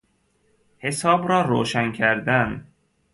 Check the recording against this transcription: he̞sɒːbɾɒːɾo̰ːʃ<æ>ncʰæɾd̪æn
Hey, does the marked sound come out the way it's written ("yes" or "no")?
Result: yes